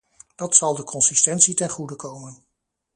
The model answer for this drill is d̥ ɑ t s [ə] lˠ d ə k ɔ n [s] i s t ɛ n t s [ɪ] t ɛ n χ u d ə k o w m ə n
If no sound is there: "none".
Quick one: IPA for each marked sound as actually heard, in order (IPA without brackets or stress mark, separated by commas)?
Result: ɑ, s, i